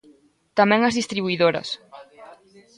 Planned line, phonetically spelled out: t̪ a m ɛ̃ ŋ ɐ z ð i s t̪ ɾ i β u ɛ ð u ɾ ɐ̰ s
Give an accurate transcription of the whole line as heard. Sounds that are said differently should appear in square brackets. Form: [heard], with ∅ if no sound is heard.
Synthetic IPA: t̪ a m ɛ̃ ŋ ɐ z ð i s t̪ ɾ i β u [i] ð [o] ɾ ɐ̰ s

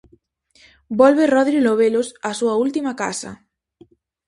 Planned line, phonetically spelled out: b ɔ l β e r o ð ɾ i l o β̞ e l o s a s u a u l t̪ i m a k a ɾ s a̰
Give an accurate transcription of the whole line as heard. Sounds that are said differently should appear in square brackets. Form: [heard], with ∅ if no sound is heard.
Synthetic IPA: b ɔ l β e r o ð ɾ i l o β̞ e l o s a s u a u l t̪ i m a k a [∅] s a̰

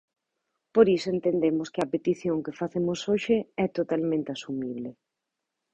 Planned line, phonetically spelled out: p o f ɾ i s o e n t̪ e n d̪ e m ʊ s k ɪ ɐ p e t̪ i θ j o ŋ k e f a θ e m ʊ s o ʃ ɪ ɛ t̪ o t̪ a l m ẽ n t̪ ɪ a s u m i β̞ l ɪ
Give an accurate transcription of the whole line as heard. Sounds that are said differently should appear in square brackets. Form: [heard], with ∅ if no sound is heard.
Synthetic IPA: p o [∅] ɾ i s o e n t̪ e n d̪ e m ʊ s k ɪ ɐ p e t̪ i θ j o ŋ k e f a θ e m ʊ s o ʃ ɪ ɛ t̪ o t̪ a l m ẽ n t̪ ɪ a s u m i β̞ l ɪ

